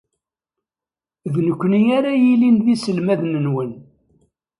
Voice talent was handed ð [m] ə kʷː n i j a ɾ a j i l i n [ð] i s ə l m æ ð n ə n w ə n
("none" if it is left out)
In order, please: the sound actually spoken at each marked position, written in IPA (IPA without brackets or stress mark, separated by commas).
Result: n, ð